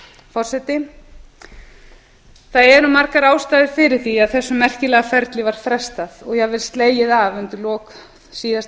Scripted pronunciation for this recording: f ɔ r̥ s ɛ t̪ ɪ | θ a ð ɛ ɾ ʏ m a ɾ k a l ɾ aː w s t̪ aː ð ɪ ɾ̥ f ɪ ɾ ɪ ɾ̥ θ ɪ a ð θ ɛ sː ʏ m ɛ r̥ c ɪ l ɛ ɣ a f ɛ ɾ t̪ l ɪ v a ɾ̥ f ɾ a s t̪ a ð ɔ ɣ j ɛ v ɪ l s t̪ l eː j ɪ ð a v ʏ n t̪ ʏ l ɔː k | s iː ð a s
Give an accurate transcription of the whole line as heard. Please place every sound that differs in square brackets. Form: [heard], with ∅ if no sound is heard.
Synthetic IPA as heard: f ɔ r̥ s ɛ t̪ ɪ | θ a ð ɛ ɾ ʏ m a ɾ k a [∅] ɾ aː w s t̪ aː ð ɪ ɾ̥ f ɪ ɾ ɪ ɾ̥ θ [i] a ð θ ɛ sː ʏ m ɛ r̥ c ɪ l ɛ ɣ a f ɛ ɾ t̪ l ɪ v a ɾ̥ f ɾ [ɛ] s t̪ a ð ɔ ɣ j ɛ v ɪ l s t̪ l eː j ɪ ð a v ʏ n t̪ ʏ l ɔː k | s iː ð a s

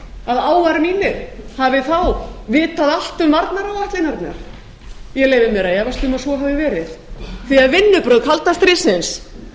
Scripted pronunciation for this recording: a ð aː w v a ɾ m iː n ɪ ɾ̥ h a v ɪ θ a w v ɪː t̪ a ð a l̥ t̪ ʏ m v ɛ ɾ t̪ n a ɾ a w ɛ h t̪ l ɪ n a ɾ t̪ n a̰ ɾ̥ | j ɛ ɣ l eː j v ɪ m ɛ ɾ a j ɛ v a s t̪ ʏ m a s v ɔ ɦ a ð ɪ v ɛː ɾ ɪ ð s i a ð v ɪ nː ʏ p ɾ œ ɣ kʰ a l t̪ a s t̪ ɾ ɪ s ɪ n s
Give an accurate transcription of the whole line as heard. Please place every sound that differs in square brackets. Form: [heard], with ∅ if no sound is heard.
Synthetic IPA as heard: a ð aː w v a ɾ m iː n ɪ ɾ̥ h a v ɪ θ a w v ɪː t̪ a ð a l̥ t̪ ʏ m v [a] ɾ t̪ n a ɾ a w [a] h t̪ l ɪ n a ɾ t̪ n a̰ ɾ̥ | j ɛ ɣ l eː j v ɪ m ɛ ɾ a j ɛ v a s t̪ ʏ m a s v ɔ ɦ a [v] ɪ v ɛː ɾ ɪ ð [θ] i a ð v ɪ nː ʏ p ɾ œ [ð] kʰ a l t̪ a s t̪ ɾ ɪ s ɪ n s

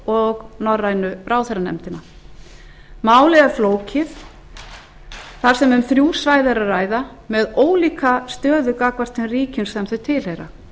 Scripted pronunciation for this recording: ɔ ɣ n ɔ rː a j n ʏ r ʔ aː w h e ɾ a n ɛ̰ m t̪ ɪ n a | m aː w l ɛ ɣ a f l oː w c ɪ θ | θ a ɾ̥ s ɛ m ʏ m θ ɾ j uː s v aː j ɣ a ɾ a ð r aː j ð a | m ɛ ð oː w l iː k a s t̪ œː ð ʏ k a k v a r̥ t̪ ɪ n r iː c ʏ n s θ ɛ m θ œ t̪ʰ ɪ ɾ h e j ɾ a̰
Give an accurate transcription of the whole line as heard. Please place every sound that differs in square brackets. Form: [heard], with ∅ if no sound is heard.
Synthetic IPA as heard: ɔ ɣ n ɔ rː a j n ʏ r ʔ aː w [θ] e ɾ a n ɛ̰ m t̪ ɪ n a | m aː w l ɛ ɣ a f l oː w c ɪ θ | θ a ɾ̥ s ɛ m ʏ m θ ɾ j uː s v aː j [ð] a ɾ a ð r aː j ð a | m ɛ ð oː w l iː k a s t̪ œː ð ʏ k a k v a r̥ t̪ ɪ n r iː c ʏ n s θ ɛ m θ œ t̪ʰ ɪ [l] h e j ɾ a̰

